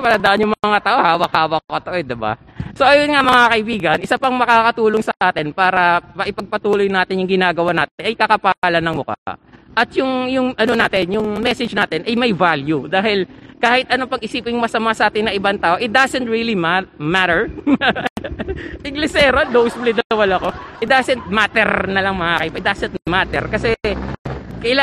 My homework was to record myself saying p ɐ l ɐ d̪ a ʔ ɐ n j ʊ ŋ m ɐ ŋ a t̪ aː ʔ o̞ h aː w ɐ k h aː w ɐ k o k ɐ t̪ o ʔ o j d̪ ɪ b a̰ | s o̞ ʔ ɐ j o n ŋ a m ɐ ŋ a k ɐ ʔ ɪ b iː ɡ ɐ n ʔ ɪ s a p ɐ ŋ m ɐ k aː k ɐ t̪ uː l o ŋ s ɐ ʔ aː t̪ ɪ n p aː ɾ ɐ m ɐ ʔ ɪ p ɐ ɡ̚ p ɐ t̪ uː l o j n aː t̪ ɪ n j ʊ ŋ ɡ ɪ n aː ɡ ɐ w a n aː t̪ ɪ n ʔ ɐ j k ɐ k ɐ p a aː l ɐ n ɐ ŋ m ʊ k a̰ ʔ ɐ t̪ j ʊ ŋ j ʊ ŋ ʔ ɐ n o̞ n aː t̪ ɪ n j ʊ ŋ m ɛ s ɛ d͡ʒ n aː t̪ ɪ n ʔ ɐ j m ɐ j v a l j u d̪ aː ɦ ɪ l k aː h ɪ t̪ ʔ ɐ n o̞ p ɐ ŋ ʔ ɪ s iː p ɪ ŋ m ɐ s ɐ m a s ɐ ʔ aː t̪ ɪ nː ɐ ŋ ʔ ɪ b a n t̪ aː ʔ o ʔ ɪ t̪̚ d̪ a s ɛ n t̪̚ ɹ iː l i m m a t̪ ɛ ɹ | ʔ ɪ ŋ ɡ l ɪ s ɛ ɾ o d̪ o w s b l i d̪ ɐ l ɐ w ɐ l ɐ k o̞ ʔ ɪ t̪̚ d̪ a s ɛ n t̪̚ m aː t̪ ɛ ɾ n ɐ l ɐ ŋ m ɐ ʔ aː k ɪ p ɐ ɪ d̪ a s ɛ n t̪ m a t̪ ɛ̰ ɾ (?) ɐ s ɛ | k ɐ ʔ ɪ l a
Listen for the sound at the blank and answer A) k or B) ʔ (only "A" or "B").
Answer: A